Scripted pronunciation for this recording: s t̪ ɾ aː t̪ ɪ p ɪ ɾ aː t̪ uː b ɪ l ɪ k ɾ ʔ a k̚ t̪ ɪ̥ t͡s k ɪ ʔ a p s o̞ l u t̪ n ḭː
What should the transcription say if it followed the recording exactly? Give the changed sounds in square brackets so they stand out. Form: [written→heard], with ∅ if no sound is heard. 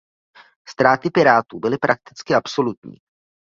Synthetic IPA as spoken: s t̪ ɾ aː t̪ ɪ p ɪ ɾ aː t̪ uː b ɪ l ɪ [k→p] ɾ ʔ a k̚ t̪ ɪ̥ t͡s k ɪ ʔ a p s o̞ l u t̪ [n→ɲ] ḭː